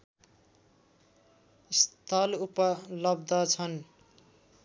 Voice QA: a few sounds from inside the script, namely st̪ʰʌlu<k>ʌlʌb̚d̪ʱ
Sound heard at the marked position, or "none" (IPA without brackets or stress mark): p